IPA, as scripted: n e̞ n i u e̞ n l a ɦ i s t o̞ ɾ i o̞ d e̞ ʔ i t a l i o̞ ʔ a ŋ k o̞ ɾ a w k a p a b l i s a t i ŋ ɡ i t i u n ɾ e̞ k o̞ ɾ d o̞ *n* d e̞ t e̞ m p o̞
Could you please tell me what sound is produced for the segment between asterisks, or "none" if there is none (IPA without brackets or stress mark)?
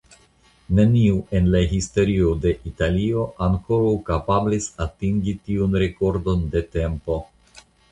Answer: n